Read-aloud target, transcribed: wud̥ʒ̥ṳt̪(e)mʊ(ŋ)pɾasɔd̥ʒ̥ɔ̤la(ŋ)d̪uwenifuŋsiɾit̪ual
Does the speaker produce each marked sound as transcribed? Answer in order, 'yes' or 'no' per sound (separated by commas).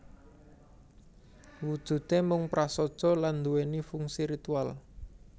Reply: yes, yes, no